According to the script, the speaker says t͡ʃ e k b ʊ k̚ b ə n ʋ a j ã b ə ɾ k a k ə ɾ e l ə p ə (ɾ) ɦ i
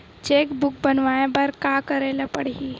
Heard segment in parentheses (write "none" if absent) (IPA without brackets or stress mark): ɽ